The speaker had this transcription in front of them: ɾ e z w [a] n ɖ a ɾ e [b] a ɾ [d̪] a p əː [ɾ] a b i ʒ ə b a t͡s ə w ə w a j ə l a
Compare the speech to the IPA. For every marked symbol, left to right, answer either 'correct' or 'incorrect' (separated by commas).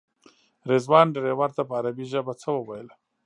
incorrect, incorrect, incorrect, correct